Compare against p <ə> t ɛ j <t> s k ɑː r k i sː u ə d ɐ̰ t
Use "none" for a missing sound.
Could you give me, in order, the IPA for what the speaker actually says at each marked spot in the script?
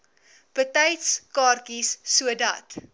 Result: ə, t

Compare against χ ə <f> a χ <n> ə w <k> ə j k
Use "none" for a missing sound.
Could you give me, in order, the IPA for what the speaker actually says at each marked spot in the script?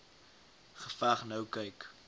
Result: f, n, k

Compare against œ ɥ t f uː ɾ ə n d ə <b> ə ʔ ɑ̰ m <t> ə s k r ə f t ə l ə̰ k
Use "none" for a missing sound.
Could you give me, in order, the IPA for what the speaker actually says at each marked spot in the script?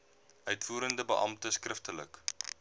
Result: b, t

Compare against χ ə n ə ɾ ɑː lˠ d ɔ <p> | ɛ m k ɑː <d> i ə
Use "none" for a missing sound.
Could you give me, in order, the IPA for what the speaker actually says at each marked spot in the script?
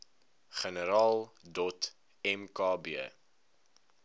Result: t, b

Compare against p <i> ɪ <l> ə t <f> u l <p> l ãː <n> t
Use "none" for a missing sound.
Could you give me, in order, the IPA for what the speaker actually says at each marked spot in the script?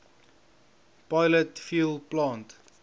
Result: a, l, f, p, n

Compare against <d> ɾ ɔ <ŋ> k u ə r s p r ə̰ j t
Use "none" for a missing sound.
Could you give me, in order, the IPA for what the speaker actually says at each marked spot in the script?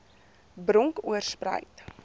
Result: b, ŋ

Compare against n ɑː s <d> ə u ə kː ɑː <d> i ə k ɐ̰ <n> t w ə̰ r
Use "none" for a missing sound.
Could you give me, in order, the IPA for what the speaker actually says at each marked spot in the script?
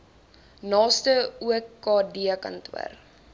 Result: t, d, n

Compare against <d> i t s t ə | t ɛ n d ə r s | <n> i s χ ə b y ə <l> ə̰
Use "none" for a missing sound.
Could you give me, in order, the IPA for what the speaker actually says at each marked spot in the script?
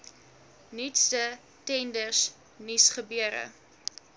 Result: n, n, ɾ

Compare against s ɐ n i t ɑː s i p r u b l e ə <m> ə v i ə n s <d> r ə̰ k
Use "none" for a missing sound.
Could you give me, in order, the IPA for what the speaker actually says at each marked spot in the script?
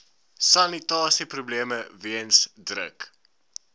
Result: m, d

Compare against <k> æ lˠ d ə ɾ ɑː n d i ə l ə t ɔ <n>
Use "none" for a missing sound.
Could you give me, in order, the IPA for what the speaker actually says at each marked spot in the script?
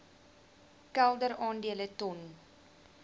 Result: k, n

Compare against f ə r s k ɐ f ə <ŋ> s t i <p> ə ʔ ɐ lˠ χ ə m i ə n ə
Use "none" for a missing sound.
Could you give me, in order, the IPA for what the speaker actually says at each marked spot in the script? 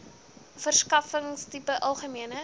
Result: ŋ, p

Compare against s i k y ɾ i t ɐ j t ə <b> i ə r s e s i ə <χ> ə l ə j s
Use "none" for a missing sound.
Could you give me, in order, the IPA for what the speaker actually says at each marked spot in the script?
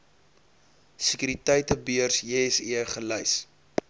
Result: b, χ

